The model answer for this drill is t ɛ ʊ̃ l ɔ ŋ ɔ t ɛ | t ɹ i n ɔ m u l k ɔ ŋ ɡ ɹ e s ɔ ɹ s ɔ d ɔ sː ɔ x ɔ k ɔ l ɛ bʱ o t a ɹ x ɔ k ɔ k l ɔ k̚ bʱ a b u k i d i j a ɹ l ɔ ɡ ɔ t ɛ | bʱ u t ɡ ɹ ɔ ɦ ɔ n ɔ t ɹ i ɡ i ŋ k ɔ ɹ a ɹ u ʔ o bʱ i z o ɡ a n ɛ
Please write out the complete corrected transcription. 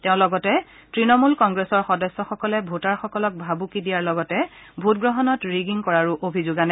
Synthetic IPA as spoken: t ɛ ʊ̃ l ɔ ɡ ɔ t ɛ | t ɹ i n ɔ m u l k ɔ ŋ ɡ ɹ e s ɔ ɹ x ɔ d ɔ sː ɔ x ɔ k ɔ l ɛ bʱ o t a ɹ x ɔ k ɔ l ɔ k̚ bʱ a b u k i d i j a ɹ l ɔ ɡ ɔ t ɛ | bʱ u t ɡ ɹ ɔ ɦ ɔ n ɔ t ɹ i ɡ i ŋ k ɔ ɹ a ɹ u ʔ o bʱ i z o ɡ a n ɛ

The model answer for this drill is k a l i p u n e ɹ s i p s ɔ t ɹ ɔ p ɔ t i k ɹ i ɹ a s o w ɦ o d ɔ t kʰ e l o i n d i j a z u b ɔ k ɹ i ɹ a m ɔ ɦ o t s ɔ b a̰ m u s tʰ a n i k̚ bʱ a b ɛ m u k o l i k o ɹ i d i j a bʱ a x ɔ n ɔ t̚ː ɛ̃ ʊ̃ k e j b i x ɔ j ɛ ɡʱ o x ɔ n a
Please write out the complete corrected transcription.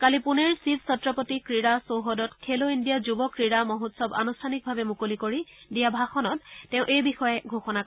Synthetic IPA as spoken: k a l i p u n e ɹ s i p s ɔ t ɹ ɔ p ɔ t i k ɹ i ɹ a s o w ɦ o d ɔ t kʰ e l o i n d i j a z u b ɔ k ɹ i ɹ a m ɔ ɦ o t s ɔ b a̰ n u s tʰ a n i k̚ bʱ a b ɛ m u k o l i k o ɹ i d i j a bʱ a x ɔ n ɔ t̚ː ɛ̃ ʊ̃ ʔ e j b i x ɔ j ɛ ɡʱ o x ɔ n a

